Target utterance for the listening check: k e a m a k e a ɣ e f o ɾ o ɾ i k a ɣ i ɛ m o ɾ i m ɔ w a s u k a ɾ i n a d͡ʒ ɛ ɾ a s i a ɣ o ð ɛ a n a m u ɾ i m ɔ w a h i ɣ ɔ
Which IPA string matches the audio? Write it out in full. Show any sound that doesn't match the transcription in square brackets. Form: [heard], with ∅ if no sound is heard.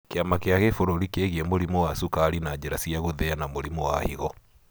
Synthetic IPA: k e a m a k e a ɣ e f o ɾ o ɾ i k [e] ɣ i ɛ m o ɾ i m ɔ w a s u k a ɾ i n a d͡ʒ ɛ ɾ a s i a ɣ o ð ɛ a n a m [o] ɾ i m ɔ w a h i ɣ ɔ